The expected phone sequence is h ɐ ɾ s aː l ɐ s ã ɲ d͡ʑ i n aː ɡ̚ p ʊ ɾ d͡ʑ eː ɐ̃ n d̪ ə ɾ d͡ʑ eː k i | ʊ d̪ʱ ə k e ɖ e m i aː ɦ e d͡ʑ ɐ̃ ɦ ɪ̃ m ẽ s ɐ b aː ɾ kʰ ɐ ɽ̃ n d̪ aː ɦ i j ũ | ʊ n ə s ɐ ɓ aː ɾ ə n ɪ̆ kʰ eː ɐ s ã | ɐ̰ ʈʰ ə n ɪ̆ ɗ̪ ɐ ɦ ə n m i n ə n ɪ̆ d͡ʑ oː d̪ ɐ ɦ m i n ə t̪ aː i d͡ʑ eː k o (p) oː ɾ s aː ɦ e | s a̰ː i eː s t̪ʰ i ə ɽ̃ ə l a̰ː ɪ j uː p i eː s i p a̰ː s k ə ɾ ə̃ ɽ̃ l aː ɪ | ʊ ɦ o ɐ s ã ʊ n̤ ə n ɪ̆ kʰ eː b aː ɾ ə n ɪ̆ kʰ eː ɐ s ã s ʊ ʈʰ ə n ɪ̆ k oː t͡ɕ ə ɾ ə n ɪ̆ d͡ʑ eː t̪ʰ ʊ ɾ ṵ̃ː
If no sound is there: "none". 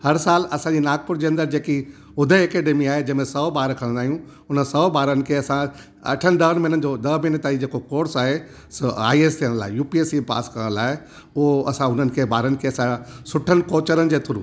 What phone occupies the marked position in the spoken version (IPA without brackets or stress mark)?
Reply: k